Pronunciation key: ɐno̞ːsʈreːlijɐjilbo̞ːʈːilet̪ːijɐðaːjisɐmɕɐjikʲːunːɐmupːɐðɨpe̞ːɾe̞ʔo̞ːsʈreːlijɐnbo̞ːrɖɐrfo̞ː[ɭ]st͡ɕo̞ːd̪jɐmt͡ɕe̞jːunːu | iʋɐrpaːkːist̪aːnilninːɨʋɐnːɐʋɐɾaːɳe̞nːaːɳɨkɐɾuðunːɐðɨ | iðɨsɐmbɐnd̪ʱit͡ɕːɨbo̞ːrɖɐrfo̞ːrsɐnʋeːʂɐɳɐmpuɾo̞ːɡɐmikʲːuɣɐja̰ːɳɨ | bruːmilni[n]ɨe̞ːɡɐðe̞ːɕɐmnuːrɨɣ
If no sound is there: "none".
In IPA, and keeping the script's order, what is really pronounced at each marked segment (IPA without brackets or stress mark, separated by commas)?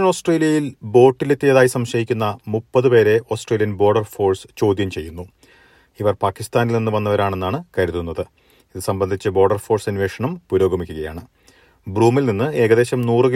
r, nː